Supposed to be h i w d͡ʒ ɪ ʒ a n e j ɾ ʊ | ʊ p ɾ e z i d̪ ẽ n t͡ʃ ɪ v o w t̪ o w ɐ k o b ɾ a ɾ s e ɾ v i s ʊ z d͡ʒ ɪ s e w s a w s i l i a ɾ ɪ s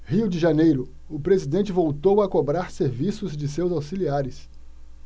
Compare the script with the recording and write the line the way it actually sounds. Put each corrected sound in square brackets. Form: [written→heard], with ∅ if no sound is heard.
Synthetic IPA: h i w d͡ʒ ɪ ʒ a n e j ɾ ʊ | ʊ p ɾ e z i d̪ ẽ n t͡ʃ ɪ v o w t̪ o w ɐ k o b ɾ a ɾ s e ɾ v i s ʊ z d͡ʒ ɪ s e w [s→z] a w s i l i a ɾ ɪ s